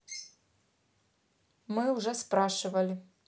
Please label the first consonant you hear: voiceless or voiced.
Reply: voiced